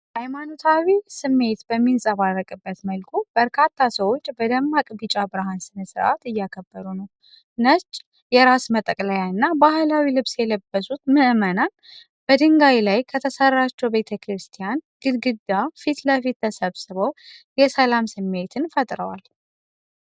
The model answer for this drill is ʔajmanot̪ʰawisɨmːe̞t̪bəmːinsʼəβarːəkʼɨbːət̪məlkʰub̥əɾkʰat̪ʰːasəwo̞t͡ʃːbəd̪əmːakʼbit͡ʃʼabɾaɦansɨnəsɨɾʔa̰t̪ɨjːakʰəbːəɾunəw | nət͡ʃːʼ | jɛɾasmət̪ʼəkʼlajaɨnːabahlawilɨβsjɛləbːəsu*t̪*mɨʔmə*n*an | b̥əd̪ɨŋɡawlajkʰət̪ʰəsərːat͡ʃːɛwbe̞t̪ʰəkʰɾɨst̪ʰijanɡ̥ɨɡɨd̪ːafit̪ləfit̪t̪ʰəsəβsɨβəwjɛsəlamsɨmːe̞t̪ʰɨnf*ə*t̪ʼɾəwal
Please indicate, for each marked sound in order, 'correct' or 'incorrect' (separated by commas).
correct, correct, correct